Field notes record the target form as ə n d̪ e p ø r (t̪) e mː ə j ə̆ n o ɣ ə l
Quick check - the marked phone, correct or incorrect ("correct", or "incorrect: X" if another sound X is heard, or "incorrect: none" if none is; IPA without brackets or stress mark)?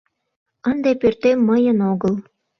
correct